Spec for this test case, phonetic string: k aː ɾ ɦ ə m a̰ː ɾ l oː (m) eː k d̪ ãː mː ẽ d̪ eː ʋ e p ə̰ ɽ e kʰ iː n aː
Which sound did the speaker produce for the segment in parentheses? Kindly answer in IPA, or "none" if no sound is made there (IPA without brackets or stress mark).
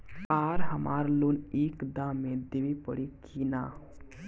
n